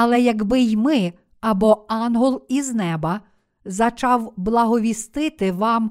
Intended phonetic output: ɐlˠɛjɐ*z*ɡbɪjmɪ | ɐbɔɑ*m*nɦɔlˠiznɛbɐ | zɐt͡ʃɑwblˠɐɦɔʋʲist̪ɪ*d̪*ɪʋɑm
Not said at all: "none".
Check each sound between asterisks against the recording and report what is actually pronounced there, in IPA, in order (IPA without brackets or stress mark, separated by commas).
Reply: none, none, t̪